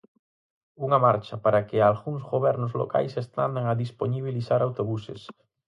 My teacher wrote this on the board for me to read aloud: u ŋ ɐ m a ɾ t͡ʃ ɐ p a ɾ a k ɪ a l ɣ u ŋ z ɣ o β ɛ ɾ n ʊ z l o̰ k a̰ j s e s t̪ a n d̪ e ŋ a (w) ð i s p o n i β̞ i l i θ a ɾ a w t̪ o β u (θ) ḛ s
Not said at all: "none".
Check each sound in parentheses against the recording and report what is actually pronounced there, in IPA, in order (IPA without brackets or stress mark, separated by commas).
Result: none, s